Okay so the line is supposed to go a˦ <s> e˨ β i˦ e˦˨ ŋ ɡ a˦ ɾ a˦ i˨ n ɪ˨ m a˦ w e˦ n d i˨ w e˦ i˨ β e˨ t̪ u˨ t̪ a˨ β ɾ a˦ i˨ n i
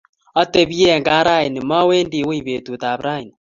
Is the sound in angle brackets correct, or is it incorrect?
incorrect: t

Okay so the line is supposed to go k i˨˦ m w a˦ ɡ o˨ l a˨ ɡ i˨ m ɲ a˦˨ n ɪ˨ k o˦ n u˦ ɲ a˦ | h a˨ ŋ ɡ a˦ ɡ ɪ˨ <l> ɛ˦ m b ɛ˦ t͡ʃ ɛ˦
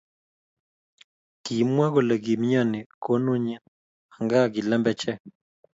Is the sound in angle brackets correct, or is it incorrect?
correct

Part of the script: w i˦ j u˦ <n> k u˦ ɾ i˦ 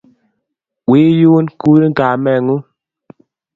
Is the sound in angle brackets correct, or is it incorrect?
correct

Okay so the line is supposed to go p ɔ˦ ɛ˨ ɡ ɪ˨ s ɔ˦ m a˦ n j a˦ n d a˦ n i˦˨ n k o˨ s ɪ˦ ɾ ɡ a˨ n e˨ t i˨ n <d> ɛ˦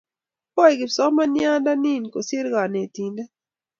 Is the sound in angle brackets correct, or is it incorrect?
correct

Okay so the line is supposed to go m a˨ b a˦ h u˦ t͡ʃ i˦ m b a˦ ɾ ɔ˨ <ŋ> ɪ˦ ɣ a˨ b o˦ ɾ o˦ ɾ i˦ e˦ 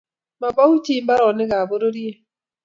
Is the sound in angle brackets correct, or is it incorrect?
incorrect: n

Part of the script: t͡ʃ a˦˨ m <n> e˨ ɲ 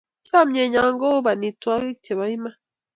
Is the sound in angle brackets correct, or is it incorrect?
incorrect: ɲ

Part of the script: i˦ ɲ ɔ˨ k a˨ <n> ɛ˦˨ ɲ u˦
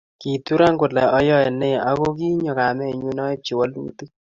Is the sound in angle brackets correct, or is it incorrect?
incorrect: m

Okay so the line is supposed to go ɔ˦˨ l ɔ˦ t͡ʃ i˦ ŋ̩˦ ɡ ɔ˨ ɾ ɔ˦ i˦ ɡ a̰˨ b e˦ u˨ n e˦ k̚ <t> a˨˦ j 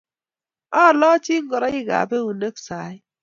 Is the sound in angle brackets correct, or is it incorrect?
incorrect: s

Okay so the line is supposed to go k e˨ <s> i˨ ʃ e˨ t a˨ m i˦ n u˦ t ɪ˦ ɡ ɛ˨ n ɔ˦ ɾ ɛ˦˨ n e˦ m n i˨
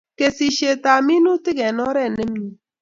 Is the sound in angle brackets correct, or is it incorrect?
correct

